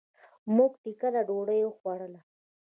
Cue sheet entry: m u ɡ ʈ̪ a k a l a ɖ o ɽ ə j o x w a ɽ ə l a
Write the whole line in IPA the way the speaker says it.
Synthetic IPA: m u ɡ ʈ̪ i k a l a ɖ o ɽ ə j o x w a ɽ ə l a